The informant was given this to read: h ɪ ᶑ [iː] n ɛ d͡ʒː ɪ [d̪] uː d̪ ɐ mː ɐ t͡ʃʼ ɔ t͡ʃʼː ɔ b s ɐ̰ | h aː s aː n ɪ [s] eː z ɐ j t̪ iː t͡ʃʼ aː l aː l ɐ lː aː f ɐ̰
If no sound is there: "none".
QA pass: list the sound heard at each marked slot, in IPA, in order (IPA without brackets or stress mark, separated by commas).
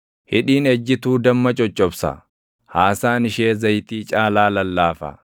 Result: iː, t̪, ʃ